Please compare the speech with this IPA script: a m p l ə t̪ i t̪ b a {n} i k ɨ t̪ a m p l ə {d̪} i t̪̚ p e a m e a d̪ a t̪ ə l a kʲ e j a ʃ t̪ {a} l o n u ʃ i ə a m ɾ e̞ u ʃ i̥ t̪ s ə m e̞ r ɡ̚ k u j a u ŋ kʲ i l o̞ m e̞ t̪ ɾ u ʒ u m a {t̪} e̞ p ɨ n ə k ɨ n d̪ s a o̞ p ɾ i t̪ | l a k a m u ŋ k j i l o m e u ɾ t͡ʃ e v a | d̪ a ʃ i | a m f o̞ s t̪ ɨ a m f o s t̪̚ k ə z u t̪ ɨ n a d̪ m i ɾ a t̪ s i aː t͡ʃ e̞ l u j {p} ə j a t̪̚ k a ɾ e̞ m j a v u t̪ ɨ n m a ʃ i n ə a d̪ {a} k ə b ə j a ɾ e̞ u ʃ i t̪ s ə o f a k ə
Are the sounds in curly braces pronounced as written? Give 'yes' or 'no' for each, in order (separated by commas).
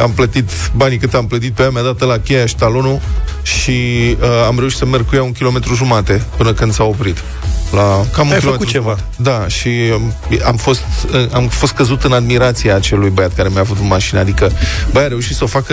yes, no, yes, yes, no, no